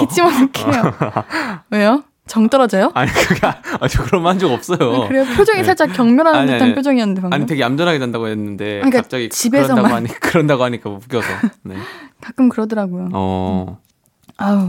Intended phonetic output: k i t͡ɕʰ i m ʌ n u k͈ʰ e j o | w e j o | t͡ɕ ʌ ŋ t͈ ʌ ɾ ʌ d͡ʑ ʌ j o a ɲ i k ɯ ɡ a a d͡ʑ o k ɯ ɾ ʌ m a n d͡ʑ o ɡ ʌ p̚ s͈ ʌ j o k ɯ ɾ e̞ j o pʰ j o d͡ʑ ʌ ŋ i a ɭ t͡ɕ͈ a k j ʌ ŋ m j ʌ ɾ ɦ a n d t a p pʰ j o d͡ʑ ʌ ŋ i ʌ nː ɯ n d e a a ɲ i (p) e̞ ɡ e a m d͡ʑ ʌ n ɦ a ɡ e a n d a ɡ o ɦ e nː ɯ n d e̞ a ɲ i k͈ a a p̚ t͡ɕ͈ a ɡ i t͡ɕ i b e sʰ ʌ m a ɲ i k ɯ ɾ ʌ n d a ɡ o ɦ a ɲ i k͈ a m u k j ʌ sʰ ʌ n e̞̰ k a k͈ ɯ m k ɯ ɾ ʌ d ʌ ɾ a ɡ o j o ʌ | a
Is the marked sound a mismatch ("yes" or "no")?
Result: yes